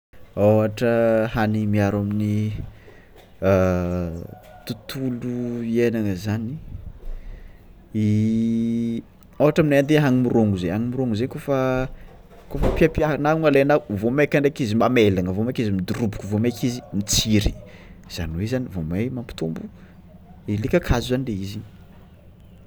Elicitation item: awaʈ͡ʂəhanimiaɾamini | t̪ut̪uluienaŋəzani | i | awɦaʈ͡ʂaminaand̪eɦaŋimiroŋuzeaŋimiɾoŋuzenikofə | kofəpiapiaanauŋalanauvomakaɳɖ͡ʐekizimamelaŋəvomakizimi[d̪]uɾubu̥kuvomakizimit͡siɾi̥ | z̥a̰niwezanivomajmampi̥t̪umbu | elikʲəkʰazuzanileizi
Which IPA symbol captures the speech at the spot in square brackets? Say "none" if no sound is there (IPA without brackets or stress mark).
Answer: d̪